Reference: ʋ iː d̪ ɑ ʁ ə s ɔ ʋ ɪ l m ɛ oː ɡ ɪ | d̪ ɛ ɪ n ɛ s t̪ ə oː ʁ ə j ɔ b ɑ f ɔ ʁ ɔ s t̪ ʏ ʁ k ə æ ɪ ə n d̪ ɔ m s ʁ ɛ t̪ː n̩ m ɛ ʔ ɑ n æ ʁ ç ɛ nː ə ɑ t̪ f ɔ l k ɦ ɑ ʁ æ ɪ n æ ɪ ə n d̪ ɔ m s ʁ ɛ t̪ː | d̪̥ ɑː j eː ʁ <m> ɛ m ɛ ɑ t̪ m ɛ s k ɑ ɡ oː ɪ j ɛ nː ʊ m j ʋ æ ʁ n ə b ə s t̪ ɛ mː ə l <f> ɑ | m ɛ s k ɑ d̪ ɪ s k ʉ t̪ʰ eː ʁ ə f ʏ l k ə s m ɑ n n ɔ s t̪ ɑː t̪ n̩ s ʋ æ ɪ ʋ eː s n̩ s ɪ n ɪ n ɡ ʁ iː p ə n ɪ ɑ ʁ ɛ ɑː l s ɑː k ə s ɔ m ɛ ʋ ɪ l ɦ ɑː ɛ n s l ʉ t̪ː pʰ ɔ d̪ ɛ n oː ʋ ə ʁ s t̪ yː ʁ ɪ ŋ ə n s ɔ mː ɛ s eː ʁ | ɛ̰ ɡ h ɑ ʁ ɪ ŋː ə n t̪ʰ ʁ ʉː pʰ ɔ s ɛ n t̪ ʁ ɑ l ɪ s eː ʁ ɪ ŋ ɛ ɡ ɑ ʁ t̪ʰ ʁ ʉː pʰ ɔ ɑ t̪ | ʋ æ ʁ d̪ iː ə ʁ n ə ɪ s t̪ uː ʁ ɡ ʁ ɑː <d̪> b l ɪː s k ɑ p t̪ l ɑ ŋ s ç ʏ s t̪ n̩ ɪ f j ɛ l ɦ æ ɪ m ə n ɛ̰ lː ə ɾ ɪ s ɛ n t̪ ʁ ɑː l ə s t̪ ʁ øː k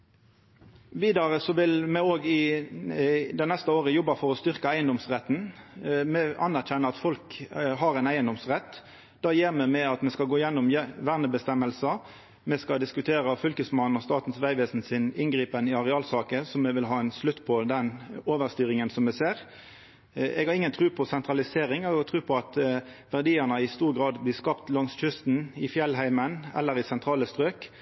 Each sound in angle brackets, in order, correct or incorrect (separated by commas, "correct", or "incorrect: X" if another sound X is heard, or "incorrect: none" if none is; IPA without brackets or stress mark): correct, incorrect: s, correct